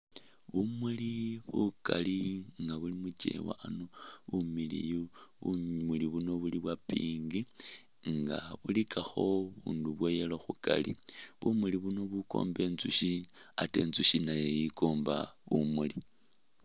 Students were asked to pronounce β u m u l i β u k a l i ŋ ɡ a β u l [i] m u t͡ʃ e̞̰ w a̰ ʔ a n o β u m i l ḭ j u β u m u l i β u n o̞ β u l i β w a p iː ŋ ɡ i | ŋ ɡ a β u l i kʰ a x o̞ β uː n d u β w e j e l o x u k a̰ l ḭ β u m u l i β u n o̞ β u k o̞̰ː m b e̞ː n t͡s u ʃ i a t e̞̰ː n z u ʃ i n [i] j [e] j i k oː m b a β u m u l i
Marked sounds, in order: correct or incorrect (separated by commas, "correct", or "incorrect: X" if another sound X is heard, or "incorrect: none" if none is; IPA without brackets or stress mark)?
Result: correct, incorrect: a, correct